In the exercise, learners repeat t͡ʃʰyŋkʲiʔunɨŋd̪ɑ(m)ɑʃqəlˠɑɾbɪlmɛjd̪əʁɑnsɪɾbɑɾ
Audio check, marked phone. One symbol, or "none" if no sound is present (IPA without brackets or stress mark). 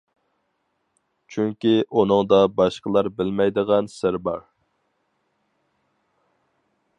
b